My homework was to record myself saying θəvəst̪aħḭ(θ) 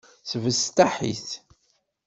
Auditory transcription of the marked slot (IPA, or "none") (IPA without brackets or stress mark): θ